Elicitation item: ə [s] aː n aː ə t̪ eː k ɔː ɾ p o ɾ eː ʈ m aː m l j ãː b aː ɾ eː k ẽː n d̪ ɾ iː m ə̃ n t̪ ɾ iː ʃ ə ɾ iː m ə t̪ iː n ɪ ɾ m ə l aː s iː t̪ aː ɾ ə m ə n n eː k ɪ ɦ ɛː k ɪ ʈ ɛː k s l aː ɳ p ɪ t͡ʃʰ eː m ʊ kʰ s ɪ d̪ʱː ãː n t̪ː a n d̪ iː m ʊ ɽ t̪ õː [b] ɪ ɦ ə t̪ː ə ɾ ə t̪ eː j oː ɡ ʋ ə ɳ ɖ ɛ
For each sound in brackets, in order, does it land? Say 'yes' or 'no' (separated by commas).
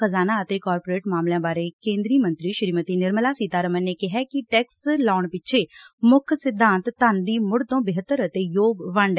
no, yes